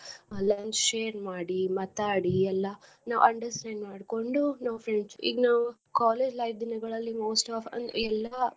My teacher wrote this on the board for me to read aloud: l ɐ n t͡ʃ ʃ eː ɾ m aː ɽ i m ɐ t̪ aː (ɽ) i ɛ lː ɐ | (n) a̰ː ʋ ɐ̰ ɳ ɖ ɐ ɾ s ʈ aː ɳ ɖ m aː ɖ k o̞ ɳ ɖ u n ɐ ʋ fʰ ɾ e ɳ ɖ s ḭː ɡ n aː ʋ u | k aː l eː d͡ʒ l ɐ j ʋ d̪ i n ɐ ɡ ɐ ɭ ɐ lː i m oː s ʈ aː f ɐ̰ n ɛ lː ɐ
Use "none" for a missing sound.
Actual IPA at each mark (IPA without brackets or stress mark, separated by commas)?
ɽ, n